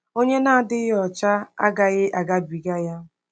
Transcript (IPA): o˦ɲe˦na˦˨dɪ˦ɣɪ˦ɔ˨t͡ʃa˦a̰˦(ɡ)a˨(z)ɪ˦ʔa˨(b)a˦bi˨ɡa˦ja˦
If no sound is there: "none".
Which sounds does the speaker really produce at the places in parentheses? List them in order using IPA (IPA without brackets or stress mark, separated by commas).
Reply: ɡ, ɣ, ɡ